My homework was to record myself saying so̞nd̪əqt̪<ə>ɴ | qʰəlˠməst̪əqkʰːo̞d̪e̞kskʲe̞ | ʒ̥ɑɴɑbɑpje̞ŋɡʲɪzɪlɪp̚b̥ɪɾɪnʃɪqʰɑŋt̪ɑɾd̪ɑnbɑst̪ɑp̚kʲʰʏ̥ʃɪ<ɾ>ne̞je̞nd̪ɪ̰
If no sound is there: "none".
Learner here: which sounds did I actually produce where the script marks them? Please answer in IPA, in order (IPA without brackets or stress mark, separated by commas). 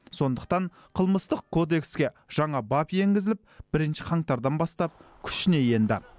ɑ, none